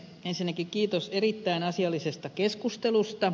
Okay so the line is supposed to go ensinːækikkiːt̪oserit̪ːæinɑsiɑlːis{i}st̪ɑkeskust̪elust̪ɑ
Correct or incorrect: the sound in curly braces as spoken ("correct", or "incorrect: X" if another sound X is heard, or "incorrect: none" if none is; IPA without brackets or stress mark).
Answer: incorrect: e